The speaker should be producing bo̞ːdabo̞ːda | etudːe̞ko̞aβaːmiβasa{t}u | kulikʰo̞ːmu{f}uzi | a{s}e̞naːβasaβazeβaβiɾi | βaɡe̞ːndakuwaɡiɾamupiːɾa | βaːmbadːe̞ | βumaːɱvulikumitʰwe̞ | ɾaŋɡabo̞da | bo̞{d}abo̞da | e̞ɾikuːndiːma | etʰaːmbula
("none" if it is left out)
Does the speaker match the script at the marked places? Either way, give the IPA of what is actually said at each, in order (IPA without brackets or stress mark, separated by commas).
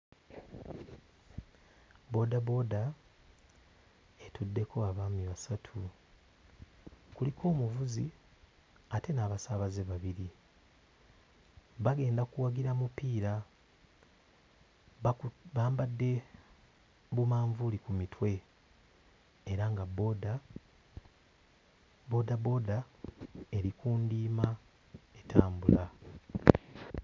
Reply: tʰ, v, t, d